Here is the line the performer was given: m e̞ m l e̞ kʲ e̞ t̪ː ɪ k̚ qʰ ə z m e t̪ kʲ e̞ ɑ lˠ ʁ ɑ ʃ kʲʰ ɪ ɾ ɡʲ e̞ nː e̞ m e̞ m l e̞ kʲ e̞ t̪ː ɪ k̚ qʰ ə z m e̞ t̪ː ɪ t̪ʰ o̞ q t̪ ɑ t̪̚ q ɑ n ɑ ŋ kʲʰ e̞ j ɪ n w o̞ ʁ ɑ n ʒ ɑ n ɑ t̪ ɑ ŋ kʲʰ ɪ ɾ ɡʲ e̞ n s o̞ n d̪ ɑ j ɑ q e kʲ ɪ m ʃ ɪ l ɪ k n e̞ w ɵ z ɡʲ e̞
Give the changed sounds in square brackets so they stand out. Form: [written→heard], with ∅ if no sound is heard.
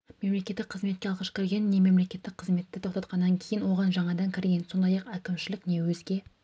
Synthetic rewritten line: m e̞ m l e̞ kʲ e̞ t̪ː ɪ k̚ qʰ ə z m e t̪ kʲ e̞ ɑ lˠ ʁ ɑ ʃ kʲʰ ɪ ɾ ɡʲ e̞ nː e̞ m e̞ m l e̞ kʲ e̞ t̪ː ɪ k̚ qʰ ə z m e̞ t̪ː ɪ t̪ʰ o̞ q t̪ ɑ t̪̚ q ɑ [n→nː] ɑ ŋ kʲʰ e̞ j ɪ n w o̞ ʁ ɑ n ʒ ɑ [n→ɴ] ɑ [t̪→d̪] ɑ ŋ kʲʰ ɪ ɾ ɡʲ e̞ n s o̞ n d̪ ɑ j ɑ q [e→æ] kʲ ɪ m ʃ ɪ l ɪ k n e̞ w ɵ z ɡʲ e̞